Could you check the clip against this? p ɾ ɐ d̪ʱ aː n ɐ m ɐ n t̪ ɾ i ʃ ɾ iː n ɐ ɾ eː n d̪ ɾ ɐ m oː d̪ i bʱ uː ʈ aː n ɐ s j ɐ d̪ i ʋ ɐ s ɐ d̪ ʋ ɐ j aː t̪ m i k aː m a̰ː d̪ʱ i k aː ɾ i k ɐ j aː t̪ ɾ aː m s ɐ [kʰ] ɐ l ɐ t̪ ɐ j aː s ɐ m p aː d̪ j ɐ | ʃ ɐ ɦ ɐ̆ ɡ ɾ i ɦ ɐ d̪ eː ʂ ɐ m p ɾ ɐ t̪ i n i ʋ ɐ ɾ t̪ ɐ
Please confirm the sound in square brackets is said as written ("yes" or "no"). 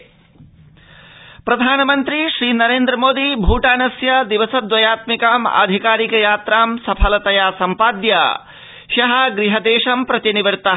no